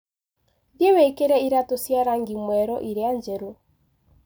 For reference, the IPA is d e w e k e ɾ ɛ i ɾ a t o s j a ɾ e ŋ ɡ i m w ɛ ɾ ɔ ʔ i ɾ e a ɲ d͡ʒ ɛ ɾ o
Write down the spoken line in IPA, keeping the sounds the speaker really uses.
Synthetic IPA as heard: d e w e k e ɾ ɛ i ɾ a t o s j a ɾ a ŋ ɡ i m w ɛ ɾ ɔ ʔ i ɾ e a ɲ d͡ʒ ɛ ɾ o